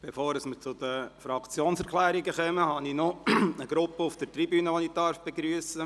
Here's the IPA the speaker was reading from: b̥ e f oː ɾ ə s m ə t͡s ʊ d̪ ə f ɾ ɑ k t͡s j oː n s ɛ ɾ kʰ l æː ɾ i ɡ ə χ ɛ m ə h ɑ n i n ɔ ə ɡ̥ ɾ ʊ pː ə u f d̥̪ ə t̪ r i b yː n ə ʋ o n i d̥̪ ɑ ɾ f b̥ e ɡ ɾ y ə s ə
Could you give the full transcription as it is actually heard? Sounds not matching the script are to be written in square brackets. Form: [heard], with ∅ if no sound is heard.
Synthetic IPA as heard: b̥ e f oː ɾ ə s m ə t͡s ʊ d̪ ə f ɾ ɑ k t͡s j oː n s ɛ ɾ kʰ l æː ɾ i ɡ ə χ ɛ m ə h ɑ n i n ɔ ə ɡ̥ ɾ ʊ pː ə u f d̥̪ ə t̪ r i b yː n ə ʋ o n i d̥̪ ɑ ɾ f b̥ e ɡ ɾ y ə s ə

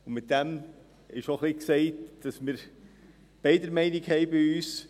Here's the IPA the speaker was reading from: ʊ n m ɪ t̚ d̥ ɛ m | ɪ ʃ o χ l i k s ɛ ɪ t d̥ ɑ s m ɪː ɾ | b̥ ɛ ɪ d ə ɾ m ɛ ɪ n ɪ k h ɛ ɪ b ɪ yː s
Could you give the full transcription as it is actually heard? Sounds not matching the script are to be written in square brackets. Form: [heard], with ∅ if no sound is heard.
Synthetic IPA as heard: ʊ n m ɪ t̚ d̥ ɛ m | ɪ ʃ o χ l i k s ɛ ɪ t d̥ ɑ s m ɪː ɾ | b̥ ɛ ɪ d ə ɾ m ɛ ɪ n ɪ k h ɛ ɪ b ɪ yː s

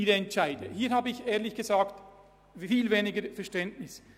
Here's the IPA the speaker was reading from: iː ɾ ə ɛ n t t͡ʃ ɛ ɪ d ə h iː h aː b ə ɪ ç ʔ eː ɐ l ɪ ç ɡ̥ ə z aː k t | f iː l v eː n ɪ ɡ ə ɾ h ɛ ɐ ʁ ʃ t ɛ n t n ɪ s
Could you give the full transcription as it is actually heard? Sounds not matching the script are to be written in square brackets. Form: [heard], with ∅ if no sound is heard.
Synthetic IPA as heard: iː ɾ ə ɛ n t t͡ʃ [a] ɪ d ə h iː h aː b ə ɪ ç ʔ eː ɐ l ɪ ç ɡ̥ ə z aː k t | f iː l v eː n ɪ ɡ ə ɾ [f] ɛ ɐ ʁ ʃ t ɛ n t n ɪ s

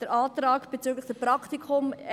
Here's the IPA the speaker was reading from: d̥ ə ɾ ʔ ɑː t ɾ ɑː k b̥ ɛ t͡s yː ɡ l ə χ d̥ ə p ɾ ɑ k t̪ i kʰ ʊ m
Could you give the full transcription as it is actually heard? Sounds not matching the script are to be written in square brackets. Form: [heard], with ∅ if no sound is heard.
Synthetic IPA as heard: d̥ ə ɾ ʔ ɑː t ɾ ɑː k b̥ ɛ t͡s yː ɡ l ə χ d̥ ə p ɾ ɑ k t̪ i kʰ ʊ m

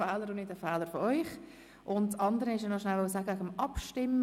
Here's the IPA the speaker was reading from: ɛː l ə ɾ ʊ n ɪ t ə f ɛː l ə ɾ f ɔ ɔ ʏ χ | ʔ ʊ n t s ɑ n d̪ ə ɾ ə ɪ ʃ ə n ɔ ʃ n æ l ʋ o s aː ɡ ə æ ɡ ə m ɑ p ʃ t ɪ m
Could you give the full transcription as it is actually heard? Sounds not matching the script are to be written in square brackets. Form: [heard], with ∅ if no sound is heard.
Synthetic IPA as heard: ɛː l ə ɾ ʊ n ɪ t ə f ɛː l ə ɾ f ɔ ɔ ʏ χ | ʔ ʊ n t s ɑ n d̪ ə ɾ ə ɪ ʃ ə n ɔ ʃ n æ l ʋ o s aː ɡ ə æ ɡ ə m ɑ p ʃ t ɪ m

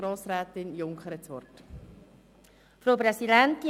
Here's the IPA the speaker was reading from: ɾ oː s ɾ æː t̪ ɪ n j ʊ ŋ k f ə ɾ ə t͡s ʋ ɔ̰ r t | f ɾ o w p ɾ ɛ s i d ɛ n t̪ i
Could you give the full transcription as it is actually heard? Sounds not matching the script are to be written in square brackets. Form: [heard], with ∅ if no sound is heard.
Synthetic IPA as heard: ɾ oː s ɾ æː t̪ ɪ n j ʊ ŋ k [χ] ə ɾ ə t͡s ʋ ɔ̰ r t | f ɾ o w p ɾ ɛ s i d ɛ n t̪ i

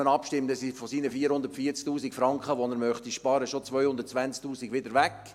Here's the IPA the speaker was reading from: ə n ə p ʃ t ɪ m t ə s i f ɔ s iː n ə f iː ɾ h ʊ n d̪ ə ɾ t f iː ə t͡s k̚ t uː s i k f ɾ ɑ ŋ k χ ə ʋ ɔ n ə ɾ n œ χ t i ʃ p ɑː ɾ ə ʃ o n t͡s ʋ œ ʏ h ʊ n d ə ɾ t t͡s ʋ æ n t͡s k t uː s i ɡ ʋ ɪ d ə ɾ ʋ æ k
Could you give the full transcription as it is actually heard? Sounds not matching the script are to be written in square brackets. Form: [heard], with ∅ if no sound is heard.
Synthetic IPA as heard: ə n [ɑ] p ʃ t ɪ m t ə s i f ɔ s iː n ə f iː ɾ h ʊ n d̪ ə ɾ t f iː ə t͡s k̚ t uː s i k f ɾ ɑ ŋ k χ ə ʋ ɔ n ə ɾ [m] œ χ t i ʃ p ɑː ɾ ə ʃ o [∅] t͡s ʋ œ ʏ h ʊ n d ə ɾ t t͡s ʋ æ n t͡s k t uː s i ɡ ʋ ɪ d ə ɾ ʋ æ k

